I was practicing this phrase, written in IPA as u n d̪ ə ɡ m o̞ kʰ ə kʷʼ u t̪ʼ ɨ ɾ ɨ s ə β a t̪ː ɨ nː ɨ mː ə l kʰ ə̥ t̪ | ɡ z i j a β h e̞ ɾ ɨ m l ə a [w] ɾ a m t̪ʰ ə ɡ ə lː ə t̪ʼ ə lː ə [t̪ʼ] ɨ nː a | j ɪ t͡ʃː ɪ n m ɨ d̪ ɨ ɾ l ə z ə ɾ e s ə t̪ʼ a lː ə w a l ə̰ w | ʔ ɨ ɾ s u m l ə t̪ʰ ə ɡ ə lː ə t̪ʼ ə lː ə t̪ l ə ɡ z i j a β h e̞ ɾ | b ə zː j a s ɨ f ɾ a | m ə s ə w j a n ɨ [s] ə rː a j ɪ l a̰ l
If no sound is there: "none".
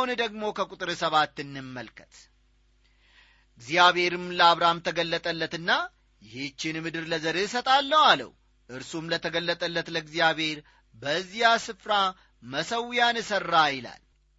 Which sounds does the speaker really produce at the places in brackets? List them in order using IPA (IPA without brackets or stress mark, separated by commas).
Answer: β, t̪, s